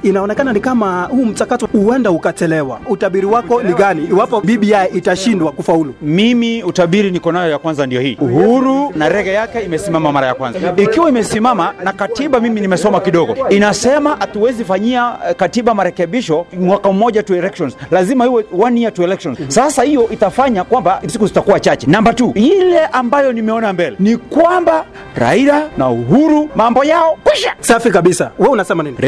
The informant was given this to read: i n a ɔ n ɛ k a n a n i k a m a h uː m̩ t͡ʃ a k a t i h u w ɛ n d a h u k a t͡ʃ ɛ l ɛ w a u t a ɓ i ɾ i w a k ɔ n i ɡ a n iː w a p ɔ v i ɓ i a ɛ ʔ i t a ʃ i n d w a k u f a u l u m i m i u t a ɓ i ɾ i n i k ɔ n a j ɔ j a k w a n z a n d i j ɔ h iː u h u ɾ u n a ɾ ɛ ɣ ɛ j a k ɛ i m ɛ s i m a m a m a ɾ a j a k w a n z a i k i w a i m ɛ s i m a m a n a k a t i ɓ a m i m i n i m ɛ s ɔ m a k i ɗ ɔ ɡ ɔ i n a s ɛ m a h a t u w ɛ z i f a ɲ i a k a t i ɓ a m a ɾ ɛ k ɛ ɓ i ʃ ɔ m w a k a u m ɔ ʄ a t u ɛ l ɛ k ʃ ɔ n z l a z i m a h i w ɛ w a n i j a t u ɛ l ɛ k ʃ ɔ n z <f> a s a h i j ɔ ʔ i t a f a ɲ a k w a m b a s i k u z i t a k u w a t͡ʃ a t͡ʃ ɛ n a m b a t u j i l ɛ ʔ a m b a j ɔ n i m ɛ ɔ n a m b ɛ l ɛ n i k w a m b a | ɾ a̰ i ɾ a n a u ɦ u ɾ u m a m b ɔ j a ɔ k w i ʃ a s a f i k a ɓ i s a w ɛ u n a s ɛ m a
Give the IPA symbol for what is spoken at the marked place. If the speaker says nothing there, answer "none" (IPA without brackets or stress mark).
s